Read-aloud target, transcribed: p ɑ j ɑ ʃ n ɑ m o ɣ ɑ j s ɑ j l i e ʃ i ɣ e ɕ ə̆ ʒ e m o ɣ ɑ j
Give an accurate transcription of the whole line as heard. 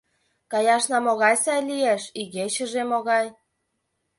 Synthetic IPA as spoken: k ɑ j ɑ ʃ n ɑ m o ɣ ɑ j s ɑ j l i e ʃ i ɣ e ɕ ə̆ ʒ e m o ɣ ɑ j